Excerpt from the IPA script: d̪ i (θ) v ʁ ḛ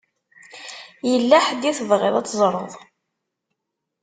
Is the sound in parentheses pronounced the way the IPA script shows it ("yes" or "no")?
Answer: yes